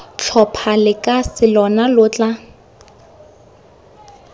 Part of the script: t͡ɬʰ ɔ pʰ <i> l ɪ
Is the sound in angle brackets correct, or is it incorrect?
incorrect